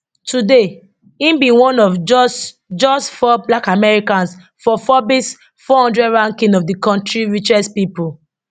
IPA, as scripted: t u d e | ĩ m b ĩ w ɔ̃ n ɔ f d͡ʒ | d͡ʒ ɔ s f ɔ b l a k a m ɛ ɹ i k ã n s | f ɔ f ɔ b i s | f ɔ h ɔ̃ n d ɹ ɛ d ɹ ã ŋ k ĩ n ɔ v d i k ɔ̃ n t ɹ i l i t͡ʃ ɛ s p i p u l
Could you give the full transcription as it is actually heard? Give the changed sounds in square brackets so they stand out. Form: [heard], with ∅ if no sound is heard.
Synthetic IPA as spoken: t u d e | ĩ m b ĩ w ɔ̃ n ɔ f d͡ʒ | d͡ʒ ɔ s f ɔ b l a k a m ɛ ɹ i k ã n s | f ɔ f ɔ b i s | f ɔ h ɔ̃ n d ɹ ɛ d ɹ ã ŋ k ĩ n ɔ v d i k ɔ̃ n t ɹ i [ɹ] i t͡ʃ ɛ s p i p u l